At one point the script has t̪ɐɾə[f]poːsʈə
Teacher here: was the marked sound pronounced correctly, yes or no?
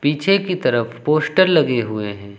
yes